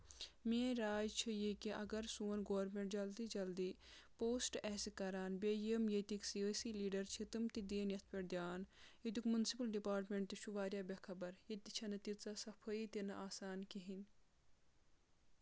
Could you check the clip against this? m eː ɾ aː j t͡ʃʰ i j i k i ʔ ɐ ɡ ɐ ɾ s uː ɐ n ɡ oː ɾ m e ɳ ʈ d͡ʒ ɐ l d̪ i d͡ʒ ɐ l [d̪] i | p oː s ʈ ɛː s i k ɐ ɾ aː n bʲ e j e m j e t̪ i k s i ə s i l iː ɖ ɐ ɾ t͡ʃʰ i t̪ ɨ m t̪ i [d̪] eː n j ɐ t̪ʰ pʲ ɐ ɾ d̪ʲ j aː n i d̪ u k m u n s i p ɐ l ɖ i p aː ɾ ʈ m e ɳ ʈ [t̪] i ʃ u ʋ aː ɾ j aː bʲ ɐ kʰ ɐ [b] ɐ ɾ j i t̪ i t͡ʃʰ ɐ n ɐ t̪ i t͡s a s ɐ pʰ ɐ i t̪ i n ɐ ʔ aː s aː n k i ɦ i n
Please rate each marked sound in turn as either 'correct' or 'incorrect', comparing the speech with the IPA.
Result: correct, correct, correct, correct

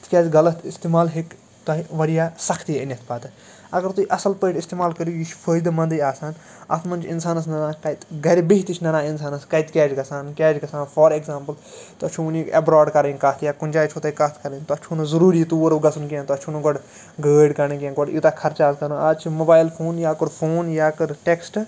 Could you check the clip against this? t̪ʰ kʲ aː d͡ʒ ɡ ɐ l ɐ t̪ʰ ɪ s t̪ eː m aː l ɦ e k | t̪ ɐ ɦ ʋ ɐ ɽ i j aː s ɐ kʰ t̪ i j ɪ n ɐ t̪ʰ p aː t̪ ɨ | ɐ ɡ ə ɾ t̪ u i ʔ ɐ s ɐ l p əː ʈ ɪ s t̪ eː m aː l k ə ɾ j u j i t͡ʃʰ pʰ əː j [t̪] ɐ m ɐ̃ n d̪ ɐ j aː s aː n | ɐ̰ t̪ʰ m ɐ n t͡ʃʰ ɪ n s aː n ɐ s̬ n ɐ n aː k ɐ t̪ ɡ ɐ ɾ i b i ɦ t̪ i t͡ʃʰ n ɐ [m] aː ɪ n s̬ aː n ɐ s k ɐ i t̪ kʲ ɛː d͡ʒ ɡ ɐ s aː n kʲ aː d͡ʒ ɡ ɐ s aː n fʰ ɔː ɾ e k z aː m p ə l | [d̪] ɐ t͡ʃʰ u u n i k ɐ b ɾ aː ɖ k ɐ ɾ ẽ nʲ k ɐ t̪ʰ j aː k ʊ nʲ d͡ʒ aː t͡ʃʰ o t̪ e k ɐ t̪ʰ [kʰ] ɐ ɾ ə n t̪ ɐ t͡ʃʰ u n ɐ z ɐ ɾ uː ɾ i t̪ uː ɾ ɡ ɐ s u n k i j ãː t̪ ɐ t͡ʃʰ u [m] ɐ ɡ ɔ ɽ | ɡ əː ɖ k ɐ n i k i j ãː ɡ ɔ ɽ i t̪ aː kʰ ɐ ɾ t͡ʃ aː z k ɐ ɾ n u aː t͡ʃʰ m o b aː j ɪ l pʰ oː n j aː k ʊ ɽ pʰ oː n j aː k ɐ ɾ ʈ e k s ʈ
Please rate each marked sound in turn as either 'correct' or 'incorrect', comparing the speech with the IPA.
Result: incorrect, incorrect, incorrect, incorrect, incorrect

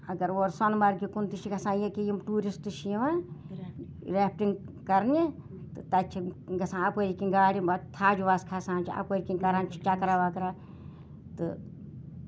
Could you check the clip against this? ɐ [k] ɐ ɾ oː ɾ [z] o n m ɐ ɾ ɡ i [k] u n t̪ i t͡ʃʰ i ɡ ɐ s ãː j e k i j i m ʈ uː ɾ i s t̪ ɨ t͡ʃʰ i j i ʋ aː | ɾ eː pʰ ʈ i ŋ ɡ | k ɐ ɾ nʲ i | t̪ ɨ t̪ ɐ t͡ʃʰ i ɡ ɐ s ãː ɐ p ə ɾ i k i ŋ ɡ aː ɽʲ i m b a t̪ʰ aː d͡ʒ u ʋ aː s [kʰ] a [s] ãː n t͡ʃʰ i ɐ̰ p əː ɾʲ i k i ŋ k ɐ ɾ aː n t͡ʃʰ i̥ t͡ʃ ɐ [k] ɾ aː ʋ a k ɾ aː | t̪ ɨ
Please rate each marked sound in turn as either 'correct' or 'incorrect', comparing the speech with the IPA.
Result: incorrect, incorrect, correct, correct, correct, correct

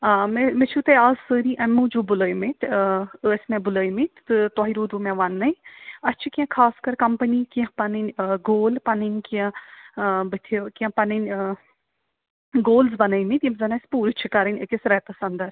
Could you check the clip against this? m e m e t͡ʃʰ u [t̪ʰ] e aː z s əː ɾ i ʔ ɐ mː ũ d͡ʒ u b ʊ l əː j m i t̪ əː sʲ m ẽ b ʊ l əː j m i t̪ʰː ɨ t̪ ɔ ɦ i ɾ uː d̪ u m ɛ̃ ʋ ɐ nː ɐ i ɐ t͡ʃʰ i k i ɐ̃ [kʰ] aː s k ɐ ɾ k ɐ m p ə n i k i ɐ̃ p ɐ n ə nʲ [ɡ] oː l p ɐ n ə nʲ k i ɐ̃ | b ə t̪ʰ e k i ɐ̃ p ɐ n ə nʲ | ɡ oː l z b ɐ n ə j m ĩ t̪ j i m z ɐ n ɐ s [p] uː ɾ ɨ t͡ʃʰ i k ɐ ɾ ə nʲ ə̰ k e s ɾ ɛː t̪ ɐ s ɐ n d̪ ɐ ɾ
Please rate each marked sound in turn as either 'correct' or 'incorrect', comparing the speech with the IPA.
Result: incorrect, correct, correct, correct

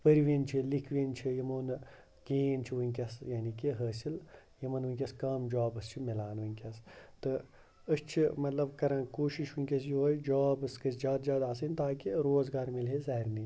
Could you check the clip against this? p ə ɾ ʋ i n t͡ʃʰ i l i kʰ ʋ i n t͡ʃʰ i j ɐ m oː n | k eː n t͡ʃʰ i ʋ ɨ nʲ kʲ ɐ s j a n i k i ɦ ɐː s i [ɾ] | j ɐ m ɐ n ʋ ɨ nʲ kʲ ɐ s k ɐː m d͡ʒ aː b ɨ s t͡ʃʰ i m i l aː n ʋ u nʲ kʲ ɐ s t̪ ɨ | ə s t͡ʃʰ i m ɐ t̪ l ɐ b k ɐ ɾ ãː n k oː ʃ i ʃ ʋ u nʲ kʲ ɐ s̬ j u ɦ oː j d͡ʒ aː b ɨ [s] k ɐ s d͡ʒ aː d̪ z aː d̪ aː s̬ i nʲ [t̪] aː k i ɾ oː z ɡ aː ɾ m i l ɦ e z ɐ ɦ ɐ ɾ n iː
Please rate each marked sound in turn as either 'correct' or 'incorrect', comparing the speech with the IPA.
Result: incorrect, correct, correct

